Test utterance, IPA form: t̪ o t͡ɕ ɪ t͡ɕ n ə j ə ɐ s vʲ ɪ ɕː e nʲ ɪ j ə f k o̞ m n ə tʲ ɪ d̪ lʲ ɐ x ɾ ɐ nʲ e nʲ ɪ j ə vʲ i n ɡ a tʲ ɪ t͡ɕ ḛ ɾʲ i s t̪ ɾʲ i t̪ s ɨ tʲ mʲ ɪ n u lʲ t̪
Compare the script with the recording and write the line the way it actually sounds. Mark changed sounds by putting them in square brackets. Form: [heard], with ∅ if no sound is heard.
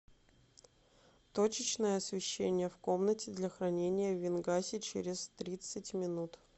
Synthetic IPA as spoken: t̪ o t͡ɕ ɪ t͡ɕ n ə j ə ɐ s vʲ ɪ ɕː e nʲ ɪ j ə f k o̞ m n ə tʲ ɪ d̪ lʲ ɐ x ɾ ɐ nʲ e nʲ ɪ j ə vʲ [ɪ] n ɡ a [sʲ] ɪ t͡ɕ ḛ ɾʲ [ɪ] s t̪ ɾʲ i t̪ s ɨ tʲ mʲ ɪ n u [∅] t̪